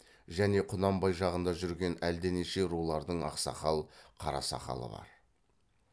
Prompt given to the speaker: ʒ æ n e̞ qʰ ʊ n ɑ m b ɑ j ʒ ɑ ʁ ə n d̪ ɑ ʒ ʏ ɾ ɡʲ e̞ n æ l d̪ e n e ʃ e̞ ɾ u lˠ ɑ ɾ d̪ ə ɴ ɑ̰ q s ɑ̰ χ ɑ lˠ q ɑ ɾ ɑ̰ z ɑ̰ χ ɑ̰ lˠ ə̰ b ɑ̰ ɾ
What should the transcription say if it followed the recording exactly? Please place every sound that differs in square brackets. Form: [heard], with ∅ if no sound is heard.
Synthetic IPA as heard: ʒ æ n e̞ qʰ ʊ n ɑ m b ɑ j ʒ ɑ ʁ ə n d̪ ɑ ʒ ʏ ɾ ɡʲ e̞ n æ l d̪ e n e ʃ e̞ ɾ u lˠ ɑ ɾ d̪ ə ɴ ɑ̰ q s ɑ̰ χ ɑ lˠ [qʰ] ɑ ɾ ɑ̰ [s] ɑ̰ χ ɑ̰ lˠ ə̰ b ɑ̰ ɾ